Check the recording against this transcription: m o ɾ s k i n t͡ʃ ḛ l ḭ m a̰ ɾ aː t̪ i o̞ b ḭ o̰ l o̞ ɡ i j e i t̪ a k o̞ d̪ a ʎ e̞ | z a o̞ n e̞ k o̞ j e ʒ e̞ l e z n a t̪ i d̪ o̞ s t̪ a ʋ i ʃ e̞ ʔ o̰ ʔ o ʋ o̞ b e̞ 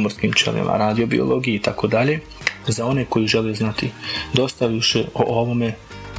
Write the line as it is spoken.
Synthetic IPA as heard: m o ɾ s k i m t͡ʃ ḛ l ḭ m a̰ ɾ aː d̪ i o̞ b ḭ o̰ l o̞ ɡ i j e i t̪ a k o̞ d̪ a ʎ e̞ | z a o̞ n e̞ k o̞ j i ʒ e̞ l e z n a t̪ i d̪ o̞ s t̪ a ʋ i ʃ e̞ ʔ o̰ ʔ o ʋ o̞ m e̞